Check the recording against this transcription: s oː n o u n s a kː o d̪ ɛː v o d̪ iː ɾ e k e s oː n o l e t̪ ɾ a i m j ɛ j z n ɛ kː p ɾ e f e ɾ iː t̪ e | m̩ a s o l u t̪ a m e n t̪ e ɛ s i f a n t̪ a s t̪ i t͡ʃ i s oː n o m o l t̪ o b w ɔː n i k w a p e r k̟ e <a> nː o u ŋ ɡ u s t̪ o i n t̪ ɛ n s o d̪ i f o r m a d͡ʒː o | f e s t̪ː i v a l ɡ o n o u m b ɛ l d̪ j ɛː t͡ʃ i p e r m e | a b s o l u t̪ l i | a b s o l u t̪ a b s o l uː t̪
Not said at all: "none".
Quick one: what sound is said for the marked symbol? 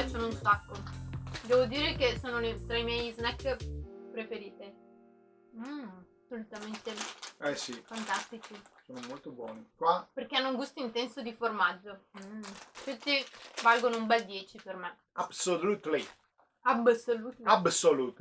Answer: a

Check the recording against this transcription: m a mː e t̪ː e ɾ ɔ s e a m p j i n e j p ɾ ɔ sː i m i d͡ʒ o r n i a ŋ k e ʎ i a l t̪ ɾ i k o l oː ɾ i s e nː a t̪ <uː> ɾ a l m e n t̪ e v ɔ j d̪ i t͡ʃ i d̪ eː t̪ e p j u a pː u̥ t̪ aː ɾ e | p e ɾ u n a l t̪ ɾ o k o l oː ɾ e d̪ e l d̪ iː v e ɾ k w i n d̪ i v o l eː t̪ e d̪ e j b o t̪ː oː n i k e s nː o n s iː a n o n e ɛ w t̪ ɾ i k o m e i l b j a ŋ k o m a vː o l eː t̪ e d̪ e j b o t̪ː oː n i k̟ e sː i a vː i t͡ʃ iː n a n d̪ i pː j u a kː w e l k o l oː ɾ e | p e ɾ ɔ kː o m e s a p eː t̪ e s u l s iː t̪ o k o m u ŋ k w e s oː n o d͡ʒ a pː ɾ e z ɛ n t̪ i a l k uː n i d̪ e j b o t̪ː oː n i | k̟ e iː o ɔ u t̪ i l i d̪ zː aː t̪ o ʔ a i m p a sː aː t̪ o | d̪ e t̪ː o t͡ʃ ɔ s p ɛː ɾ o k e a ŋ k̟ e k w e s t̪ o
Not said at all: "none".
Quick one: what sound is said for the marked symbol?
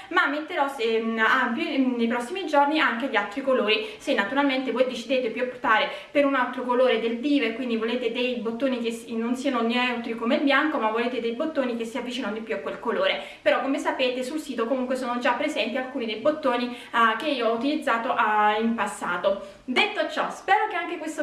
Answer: u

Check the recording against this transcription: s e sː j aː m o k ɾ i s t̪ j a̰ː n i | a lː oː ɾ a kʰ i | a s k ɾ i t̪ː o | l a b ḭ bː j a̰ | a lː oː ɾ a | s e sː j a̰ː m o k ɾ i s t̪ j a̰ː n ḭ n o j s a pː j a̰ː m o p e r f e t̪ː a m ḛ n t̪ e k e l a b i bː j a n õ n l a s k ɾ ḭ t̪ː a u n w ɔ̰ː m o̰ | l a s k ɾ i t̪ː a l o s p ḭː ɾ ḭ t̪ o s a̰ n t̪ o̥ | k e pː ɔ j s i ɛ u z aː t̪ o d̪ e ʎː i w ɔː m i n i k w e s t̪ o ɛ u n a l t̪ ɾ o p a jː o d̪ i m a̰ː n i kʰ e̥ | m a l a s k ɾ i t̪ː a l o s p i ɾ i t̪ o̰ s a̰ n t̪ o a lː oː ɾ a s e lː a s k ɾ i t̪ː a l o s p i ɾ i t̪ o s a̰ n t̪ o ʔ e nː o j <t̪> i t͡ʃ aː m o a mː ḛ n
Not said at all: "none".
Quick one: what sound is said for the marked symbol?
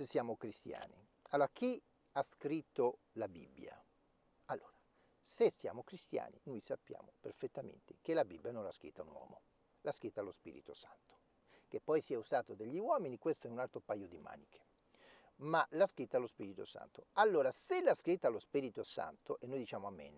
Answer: d̪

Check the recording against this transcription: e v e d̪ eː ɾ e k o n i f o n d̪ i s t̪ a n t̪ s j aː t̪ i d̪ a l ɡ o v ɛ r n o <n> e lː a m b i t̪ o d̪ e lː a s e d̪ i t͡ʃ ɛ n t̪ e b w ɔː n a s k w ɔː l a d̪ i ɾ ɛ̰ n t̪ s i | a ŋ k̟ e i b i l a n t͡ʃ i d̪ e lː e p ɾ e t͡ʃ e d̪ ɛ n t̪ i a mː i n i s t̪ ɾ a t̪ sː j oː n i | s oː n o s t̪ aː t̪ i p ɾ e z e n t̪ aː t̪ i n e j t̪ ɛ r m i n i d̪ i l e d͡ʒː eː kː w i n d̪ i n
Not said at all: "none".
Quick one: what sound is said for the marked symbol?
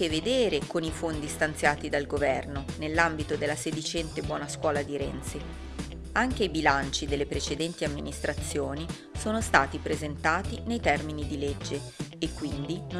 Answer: n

